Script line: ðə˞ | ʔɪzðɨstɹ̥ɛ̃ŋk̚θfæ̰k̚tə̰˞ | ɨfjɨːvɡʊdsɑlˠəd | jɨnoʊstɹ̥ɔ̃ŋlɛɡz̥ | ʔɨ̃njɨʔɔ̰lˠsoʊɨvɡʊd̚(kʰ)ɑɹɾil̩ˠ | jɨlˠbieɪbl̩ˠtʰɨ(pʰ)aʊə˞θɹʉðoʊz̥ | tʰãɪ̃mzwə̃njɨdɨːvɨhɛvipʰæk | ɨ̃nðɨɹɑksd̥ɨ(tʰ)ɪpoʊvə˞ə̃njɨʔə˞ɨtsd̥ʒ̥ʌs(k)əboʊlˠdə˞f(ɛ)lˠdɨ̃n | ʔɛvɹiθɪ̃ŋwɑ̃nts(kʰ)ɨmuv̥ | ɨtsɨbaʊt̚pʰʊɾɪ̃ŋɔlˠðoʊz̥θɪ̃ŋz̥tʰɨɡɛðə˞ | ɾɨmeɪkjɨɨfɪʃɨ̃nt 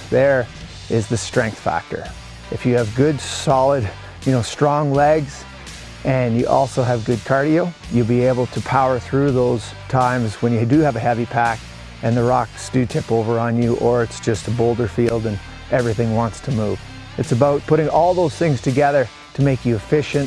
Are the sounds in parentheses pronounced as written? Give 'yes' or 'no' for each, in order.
yes, yes, yes, no, no, no

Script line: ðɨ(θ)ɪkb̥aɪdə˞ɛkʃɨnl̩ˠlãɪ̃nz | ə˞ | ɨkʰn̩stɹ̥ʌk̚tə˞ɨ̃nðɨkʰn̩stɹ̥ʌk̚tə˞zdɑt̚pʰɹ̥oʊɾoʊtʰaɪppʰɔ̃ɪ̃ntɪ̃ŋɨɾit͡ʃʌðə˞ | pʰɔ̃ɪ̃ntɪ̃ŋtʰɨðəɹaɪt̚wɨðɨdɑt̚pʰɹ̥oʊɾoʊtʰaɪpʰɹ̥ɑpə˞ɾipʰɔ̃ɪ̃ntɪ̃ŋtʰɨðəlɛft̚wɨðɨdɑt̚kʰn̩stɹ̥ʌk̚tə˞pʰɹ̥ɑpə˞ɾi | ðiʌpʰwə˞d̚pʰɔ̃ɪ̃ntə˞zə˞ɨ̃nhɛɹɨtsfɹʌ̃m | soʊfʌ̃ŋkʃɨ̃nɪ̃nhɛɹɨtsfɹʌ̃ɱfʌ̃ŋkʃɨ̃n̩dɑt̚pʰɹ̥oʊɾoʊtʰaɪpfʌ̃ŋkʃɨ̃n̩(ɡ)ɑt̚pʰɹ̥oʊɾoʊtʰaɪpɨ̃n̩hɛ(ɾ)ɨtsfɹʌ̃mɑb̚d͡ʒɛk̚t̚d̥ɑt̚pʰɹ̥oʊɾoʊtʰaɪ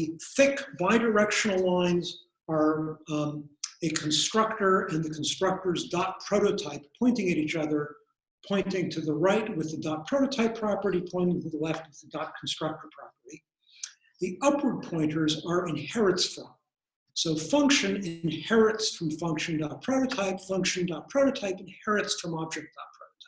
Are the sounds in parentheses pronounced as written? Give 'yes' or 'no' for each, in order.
yes, no, no

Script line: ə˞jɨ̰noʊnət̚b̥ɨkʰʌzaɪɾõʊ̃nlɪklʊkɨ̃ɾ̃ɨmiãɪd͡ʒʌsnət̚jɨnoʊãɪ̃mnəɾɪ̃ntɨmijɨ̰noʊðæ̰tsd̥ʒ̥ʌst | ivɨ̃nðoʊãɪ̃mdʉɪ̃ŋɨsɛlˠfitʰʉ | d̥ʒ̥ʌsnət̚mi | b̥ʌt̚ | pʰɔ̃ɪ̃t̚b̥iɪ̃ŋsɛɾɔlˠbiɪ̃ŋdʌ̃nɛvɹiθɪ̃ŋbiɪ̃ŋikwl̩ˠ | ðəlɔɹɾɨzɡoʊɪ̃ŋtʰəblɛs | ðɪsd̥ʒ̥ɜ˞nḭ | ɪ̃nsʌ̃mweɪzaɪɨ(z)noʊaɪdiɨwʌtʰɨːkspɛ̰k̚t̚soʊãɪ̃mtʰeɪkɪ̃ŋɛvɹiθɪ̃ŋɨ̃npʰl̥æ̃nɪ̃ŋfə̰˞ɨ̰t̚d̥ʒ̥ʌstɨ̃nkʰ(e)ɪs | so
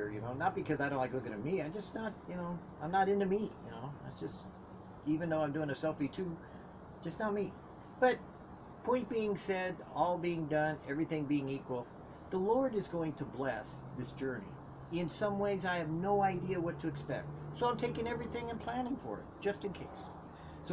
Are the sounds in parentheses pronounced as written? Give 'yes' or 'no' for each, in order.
no, yes

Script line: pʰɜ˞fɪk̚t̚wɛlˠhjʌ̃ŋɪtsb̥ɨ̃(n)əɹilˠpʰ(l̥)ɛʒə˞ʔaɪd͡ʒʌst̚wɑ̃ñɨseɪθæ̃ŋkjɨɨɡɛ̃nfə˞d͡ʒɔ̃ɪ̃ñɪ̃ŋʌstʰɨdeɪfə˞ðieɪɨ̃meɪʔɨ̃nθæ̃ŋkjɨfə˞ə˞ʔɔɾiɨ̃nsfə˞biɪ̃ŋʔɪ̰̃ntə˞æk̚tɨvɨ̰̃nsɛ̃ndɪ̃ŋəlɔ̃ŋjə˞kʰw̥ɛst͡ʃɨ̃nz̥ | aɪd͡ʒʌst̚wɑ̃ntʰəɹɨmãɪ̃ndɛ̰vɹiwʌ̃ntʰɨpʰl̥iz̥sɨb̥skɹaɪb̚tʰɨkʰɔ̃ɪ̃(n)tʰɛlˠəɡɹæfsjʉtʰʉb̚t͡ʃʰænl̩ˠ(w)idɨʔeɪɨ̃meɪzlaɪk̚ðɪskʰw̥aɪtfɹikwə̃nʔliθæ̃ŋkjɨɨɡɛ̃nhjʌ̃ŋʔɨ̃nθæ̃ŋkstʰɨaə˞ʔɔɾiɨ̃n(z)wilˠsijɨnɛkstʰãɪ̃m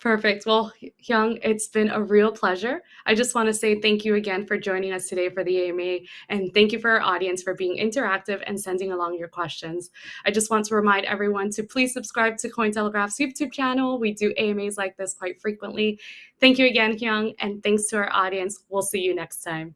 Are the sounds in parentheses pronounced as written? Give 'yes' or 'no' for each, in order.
yes, yes, yes, yes, no

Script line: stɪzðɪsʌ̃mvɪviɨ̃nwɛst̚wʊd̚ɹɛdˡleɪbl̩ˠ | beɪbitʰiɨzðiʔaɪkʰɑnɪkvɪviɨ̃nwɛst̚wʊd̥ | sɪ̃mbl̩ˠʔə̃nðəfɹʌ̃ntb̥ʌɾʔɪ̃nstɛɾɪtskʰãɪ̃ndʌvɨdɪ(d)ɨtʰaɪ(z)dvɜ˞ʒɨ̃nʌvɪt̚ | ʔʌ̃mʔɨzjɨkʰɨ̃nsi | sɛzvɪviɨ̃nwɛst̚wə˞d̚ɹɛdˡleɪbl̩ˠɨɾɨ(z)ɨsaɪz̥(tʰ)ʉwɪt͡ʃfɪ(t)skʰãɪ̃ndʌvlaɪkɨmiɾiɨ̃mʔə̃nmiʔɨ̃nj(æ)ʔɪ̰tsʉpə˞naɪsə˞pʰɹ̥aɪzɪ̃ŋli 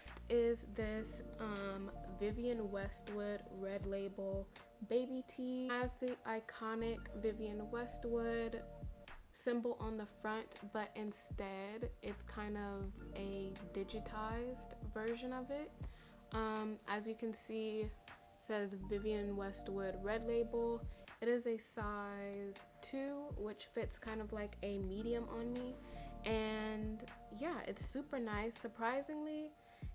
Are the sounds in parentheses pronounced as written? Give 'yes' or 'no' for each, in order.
no, yes, yes, yes, yes, yes

